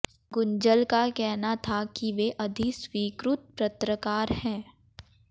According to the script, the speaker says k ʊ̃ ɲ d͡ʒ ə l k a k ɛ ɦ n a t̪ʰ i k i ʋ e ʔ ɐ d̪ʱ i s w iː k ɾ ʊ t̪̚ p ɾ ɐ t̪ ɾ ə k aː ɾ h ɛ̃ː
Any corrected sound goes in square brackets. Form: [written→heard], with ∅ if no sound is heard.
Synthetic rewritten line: [k→ɡ] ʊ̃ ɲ d͡ʒ ə l k a k ɛ ɦ n a t̪ʰ [i→a] k i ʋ e ʔ ɐ d̪ʱ i s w iː k ɾ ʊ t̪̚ p ɾ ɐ t̪ ɾ ə k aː ɾ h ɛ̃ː